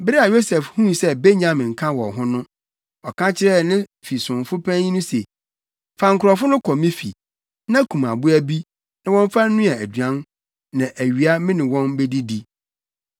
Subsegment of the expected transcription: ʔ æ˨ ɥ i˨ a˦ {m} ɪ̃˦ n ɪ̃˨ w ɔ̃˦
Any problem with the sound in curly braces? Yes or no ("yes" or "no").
no